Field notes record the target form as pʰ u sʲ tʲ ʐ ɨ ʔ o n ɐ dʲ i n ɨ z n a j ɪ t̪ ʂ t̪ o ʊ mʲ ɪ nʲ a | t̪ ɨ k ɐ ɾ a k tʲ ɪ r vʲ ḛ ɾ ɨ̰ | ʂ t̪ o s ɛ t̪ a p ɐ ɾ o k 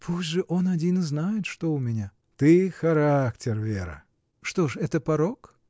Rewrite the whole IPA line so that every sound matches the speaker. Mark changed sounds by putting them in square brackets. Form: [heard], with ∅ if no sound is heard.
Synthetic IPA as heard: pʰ u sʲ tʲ ʐ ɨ ʔ o n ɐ dʲ i n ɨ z n a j ɪ t̪ ʂ t̪ o ʊ mʲ ɪ nʲ a | t̪ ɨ [x] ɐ ɾ a k tʲ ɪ r vʲ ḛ ɾ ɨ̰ | ʂ t̪ o [ʂ] ɛ t̪ [ə] p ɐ ɾ o k